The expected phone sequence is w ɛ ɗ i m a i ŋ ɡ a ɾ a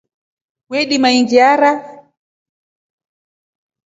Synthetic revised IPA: w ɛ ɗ i m a i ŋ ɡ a ɾ a